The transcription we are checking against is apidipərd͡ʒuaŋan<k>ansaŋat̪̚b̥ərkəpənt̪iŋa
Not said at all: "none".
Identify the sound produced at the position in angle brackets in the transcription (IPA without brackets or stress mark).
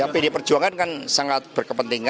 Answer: k